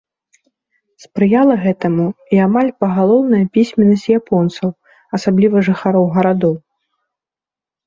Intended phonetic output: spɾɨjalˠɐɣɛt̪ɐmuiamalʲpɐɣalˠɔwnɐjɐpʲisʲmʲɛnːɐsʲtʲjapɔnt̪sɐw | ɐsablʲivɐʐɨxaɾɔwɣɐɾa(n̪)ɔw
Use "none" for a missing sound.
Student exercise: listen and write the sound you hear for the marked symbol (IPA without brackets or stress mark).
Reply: d̪